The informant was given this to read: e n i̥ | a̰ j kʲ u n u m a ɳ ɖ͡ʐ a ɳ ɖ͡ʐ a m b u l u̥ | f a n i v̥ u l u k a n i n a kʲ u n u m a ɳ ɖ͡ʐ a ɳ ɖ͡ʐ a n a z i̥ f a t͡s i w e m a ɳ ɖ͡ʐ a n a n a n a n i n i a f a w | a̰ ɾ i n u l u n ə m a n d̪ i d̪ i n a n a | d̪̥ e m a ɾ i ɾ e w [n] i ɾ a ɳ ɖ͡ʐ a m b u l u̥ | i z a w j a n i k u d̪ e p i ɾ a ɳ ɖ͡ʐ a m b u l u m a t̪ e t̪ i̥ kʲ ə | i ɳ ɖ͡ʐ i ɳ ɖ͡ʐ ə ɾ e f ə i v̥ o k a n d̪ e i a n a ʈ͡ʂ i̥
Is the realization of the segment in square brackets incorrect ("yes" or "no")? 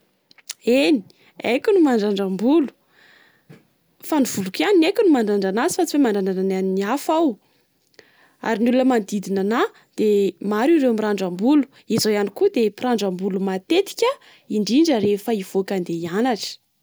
yes